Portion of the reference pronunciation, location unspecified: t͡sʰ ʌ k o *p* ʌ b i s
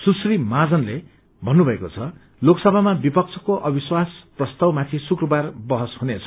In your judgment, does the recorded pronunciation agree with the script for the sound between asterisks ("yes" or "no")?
no